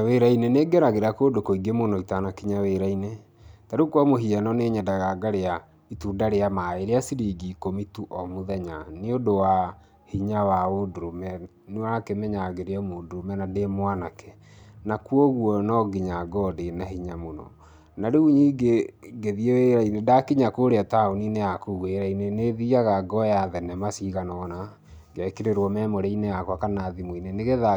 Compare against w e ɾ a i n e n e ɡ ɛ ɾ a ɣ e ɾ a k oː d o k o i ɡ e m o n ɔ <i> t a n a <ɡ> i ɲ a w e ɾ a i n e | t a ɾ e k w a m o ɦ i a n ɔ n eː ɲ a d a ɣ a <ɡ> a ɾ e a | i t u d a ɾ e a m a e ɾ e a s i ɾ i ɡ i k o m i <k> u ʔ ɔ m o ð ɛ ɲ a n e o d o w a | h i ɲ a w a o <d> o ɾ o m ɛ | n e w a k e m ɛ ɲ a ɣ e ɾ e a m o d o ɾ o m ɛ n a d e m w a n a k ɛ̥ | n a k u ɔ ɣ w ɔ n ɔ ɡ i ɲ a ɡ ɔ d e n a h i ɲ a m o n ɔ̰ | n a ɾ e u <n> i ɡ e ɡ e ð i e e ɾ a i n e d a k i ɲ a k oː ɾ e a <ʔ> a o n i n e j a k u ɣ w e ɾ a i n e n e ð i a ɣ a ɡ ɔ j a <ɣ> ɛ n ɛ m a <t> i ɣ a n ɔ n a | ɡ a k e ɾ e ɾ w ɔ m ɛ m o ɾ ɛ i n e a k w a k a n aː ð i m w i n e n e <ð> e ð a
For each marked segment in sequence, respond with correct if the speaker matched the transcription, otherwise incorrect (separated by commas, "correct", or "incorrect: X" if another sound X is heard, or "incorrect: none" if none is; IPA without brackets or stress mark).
correct, incorrect: k, correct, incorrect: t, correct, incorrect: ɲ, incorrect: t, incorrect: ð, incorrect: s, incorrect: ɣ